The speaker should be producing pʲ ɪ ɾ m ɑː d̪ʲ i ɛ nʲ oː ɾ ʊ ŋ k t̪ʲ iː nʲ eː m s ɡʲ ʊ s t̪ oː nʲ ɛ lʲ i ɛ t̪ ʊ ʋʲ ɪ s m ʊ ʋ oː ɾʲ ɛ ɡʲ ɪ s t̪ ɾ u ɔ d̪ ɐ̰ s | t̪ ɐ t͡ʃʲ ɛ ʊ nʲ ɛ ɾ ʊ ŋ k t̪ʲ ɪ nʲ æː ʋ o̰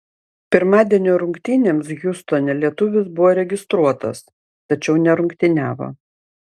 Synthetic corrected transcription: pʲ ɪ ɾ m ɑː d̪ʲ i ɛ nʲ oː ɾ ʊ ŋ k t̪ʲ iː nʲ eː m s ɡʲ ʊ s t̪ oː nʲ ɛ lʲ i ɛ t̪ ʊ ʋʲ ɪ s b ʊ ʋ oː ɾʲ ɛ ɡʲ ɪ s t̪ ɾ u ɔ t̪ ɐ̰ s | t̪ ɐ t͡ʃʲ ɛ ʊ nʲ ɛ ɾ ʊ ŋ k t̪ʲ ɪ nʲ æː ʋ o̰